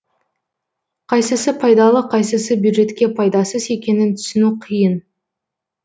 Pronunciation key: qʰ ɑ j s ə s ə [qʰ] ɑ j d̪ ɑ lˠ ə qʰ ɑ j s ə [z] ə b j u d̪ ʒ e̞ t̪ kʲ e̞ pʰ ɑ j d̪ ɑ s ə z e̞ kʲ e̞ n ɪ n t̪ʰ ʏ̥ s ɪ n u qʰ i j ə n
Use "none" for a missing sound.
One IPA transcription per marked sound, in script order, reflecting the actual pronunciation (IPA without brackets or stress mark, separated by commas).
pʰ, s